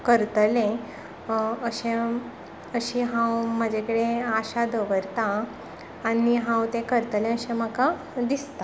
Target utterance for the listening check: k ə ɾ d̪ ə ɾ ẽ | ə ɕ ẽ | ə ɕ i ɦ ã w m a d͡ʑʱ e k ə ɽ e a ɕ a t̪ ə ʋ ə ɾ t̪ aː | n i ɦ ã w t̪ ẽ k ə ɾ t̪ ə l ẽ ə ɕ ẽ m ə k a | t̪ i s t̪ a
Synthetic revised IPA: k ə ɾ t̪ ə l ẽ | ə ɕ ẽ | ə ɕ i ɦ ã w m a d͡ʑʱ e k ə ɽ e a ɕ a d̪ ə ʋ ə ɾ t̪ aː | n i ɦ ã w t̪ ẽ k ə ɾ t̪ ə l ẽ ə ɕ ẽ m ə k a | d̪ i s t̪ a